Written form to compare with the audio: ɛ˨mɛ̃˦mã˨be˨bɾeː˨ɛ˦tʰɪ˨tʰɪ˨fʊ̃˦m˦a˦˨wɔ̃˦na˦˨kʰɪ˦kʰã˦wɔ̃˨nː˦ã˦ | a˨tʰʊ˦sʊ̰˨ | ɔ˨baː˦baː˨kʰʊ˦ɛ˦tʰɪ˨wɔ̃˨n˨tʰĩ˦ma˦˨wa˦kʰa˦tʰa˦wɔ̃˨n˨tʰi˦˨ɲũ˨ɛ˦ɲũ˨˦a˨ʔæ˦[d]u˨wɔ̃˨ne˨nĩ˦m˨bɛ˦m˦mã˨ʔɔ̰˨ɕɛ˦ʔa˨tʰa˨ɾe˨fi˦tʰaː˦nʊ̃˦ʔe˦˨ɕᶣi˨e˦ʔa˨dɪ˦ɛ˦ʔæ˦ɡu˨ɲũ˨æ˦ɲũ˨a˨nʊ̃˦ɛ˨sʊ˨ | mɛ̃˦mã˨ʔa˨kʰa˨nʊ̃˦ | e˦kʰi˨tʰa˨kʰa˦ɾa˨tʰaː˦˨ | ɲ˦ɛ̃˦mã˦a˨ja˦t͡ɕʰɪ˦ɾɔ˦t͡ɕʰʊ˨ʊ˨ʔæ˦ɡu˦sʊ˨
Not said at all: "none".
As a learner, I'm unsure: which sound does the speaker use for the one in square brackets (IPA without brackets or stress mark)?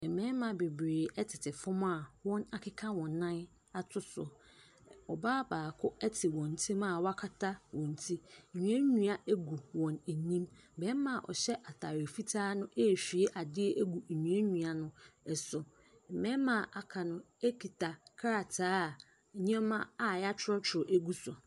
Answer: ɡ